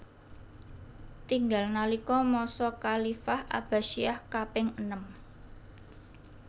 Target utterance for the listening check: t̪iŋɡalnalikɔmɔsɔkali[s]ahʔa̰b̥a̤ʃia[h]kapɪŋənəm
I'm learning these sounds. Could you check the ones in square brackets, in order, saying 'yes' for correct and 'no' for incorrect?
no, yes

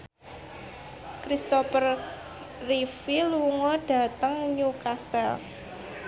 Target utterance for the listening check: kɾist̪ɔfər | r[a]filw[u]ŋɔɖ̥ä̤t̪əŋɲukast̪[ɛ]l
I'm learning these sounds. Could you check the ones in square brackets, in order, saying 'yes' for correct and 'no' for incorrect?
no, yes, yes

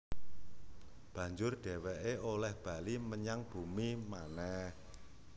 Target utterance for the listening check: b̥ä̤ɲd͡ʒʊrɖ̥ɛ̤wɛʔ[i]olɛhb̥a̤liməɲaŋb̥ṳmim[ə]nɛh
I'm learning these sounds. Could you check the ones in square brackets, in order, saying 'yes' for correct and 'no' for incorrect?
no, no

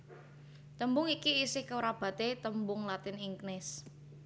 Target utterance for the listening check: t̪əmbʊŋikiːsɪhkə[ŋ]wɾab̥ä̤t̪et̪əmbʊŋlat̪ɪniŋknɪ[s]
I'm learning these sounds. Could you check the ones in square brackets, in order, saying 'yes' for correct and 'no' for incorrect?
no, yes

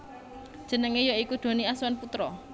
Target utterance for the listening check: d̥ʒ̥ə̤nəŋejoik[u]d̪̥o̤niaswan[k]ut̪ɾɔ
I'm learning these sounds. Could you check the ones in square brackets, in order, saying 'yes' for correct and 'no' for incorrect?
yes, no

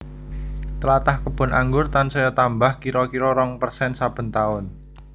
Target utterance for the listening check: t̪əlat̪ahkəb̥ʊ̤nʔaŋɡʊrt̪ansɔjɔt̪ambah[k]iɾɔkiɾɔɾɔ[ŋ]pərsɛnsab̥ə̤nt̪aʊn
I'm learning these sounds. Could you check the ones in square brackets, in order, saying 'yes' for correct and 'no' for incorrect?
yes, yes

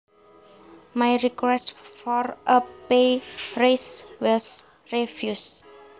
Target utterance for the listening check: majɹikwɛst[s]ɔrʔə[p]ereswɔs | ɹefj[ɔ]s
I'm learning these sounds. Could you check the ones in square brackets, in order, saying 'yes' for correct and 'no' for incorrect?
no, yes, no

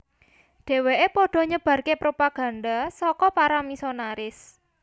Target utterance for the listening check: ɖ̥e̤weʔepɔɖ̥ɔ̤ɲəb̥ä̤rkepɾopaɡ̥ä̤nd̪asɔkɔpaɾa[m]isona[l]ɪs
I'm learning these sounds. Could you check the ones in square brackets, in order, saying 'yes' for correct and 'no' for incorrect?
yes, no

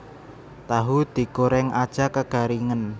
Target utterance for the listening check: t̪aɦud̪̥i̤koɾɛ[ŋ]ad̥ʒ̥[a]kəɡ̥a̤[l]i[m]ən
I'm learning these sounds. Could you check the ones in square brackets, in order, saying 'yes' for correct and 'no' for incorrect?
yes, yes, no, no

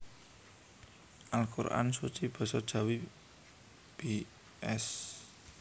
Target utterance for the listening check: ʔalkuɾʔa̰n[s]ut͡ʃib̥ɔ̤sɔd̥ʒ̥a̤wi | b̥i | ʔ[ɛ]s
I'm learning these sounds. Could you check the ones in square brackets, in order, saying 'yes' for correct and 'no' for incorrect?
yes, yes

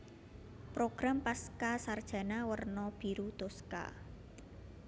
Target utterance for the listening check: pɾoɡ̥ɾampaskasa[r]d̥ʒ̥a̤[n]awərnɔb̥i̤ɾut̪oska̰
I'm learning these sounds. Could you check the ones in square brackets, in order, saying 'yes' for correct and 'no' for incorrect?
yes, yes

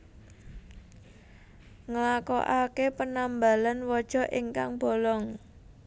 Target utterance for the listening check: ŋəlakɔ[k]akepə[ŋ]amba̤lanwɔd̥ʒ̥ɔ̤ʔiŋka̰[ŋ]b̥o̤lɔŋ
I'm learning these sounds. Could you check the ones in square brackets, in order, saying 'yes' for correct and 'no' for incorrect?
no, no, yes

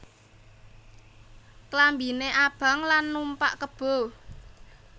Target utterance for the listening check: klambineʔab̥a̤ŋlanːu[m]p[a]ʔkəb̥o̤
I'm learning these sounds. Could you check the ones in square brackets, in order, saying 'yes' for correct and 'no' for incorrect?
yes, yes

